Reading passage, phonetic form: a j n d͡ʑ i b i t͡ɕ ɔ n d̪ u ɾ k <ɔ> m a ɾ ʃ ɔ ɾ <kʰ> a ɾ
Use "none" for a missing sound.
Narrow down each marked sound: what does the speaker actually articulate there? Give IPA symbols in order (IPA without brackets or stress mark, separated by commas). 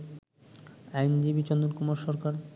u, k